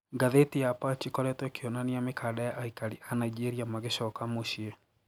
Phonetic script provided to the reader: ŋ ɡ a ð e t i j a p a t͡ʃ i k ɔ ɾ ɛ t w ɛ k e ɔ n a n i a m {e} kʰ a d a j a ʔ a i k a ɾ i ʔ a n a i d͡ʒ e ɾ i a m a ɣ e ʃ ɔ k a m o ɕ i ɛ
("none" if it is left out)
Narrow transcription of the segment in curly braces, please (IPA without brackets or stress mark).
e